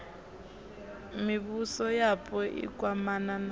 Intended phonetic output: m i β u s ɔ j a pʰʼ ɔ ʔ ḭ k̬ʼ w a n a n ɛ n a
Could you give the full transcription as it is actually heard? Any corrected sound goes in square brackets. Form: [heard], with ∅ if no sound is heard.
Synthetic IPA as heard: m i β u s ɔ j a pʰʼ ɔ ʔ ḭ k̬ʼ w a [m] a n [a] n a